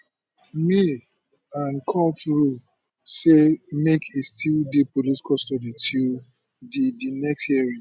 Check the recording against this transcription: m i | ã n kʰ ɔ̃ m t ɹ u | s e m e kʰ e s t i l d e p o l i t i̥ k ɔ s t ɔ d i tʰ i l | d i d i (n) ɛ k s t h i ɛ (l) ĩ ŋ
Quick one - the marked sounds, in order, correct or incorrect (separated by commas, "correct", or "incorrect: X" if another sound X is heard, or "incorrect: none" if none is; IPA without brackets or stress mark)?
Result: correct, incorrect: ɹ